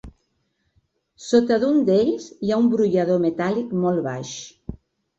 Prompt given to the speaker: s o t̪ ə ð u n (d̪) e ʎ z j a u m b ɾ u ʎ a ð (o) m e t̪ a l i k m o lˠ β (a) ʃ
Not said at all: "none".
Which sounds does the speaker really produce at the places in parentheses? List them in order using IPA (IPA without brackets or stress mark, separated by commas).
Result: d̪, o, a